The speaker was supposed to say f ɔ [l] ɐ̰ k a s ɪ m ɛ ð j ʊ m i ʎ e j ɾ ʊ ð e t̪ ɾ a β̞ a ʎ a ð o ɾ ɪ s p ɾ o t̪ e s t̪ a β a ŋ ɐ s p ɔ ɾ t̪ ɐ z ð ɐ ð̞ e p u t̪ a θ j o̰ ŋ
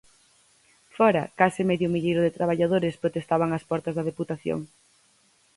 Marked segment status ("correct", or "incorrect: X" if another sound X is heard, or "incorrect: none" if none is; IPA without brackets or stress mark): incorrect: ɾ